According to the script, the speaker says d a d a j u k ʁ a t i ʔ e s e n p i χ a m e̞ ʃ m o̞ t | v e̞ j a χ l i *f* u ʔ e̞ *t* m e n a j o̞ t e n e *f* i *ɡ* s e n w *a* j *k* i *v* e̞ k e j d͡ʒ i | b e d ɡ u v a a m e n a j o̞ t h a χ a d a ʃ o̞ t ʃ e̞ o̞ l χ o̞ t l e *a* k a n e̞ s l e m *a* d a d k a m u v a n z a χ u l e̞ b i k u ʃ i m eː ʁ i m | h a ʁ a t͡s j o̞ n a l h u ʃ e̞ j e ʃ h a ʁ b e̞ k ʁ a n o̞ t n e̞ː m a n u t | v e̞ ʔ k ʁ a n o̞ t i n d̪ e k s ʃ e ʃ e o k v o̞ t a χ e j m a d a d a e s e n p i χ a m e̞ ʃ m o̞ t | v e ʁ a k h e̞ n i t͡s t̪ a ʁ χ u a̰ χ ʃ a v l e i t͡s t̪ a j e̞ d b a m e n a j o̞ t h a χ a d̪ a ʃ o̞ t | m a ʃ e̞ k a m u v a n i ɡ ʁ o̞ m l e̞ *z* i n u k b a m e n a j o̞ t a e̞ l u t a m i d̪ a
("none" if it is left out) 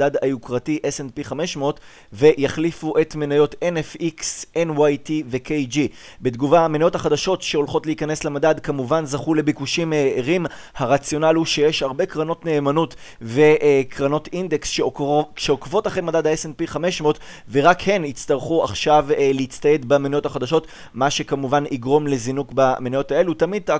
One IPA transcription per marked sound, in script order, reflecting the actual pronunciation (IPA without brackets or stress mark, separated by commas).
f, t, f, k, a, t, v, i, a, z